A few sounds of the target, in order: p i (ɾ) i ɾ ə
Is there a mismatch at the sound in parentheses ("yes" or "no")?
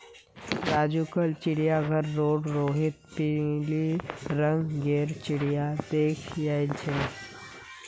yes